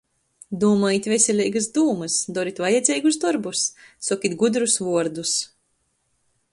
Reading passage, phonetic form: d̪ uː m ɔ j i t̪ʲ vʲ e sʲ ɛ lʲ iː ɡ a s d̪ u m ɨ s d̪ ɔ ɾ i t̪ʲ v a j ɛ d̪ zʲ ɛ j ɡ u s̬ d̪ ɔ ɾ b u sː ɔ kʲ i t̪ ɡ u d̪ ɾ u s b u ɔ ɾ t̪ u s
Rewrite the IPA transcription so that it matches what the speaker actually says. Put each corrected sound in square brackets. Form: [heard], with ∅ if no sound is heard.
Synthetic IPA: d̪ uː m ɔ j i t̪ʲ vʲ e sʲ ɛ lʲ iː ɡ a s d̪ [uː] m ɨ s d̪ ɔ ɾ i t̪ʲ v a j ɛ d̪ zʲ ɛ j ɡ u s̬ d̪ ɔ ɾ b u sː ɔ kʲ i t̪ ɡ u d̪ ɾ u s [v] u ɔ ɾ [d̪] u s